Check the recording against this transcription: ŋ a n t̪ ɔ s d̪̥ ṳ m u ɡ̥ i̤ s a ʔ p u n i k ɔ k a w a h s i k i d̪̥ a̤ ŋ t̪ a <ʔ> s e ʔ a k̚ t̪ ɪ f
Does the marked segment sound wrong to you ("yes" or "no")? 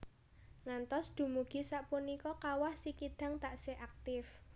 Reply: no